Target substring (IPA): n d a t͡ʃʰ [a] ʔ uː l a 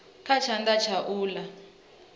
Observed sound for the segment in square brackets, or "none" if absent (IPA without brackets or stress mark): a